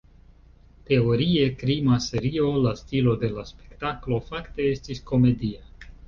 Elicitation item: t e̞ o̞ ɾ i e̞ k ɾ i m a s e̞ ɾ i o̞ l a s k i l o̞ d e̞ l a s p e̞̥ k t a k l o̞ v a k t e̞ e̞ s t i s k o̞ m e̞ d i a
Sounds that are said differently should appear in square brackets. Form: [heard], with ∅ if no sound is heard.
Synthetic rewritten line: t e̞ o̞ ɾ i e̞ k ɾ i m a s e̞ ɾ i o̞ l a s [t] i l o̞ d e̞ l a s p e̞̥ k t a k l o̞ [f] a k t e̞ e̞ s t i s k o̞ m e̞ d i a

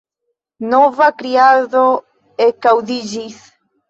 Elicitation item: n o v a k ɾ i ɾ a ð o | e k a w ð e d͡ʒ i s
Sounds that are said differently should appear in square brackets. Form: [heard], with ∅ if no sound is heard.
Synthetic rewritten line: n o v a k ɾ i [∅] a ð o | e k a w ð [i] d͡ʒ i s

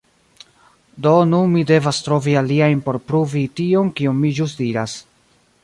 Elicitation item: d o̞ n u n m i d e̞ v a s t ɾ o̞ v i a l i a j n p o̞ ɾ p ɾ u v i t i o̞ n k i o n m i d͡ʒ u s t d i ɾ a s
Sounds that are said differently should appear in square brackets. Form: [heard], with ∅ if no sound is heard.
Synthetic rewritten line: d o̞ n u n m i d e̞ v a s t ɾ o̞ v i a l i a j n p o̞ ɾ p ɾ u v i t i o̞ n k i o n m i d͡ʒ u s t d i ɾ a s

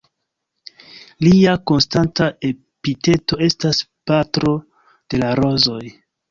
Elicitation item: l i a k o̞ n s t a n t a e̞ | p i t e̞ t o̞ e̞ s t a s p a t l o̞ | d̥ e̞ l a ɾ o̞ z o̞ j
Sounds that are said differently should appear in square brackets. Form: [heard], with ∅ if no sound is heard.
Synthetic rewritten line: l i a k o̞ n s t a n t a e̞ | p i t e̞ t o̞ e̞ s t a s p a t [ɾ] o̞ | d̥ e̞ l a ɾ o̞ z o̞ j

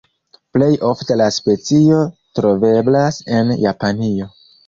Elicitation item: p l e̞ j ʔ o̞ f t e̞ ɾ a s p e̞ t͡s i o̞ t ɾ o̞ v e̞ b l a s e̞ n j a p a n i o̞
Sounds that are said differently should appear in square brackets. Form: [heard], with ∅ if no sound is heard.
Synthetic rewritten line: p l e̞ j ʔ o̞ f t e̞ [l] a s p e̞ t͡s i o̞ t ɾ o̞ v e̞ b l a s e̞ n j a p a n i o̞

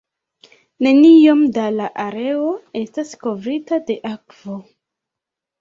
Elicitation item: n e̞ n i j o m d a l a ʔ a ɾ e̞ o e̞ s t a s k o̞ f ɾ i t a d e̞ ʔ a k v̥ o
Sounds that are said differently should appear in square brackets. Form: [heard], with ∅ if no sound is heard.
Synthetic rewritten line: n e̞ n i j o m d a l a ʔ a ɾ e̞ o e̞ s t a s k o̞ [v] ɾ i t a d e̞ ʔ a k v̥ o

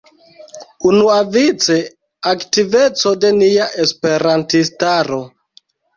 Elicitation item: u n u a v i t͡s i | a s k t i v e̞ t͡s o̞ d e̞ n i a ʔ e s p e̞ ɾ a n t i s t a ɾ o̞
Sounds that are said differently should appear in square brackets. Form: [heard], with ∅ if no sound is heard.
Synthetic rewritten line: u n u a v i t͡s [e] | a [∅] k t i v e̞ t͡s o̞ d e̞ n i a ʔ e s p e̞ ɾ a n t i s t a ɾ o̞

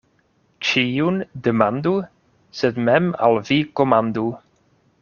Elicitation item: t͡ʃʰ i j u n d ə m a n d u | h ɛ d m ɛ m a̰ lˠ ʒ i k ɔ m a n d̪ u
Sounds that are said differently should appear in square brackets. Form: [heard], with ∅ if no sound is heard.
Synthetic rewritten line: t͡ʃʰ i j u n d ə m a n d u | [s] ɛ d m ɛ m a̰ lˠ [v] i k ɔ m a n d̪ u

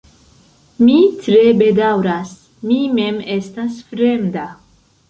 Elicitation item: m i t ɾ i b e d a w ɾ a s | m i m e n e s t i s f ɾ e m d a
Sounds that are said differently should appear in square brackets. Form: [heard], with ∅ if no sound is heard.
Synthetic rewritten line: m i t ɾ [e] b e d a w ɾ a s | m i m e [m] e s t [a] s f ɾ e m d a

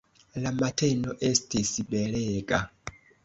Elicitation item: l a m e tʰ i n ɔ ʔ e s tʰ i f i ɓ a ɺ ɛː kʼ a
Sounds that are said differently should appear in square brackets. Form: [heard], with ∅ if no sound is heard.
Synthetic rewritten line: l a m [a] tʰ [ɛ] n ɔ ʔ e s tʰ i [s] i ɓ [ɛ] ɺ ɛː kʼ a

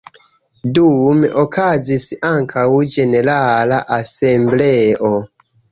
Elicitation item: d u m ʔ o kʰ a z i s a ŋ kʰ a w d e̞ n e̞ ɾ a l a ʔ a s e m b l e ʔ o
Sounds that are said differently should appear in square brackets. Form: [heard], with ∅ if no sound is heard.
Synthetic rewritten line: d u m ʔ o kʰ a z i s a ŋ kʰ a w [d͡ʒ] e̞ n e̞ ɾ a l a ʔ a s e m b l e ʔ o

